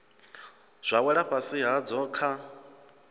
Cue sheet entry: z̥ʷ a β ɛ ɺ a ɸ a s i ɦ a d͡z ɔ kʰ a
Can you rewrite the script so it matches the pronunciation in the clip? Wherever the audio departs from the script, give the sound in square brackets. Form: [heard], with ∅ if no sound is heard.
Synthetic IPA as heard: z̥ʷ a [w] ɛ ɺ a ɸ a s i ɦ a d͡z ɔ kʰ a